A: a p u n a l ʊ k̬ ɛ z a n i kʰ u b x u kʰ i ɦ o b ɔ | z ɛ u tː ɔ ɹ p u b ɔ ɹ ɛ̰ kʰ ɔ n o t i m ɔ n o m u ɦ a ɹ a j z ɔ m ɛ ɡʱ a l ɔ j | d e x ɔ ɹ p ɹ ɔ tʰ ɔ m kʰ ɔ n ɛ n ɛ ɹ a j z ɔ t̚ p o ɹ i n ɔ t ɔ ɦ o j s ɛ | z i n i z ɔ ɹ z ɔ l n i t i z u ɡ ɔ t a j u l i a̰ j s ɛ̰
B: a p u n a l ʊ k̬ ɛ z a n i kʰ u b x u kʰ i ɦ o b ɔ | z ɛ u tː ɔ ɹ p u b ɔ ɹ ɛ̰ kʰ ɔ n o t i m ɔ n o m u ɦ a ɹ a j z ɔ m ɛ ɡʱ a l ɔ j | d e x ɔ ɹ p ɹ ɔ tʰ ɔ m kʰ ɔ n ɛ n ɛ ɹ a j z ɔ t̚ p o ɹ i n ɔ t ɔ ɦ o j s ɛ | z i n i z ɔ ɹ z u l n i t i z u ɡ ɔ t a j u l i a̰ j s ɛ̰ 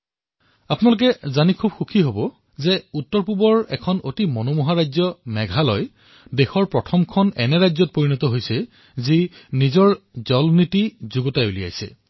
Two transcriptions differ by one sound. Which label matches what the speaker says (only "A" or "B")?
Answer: A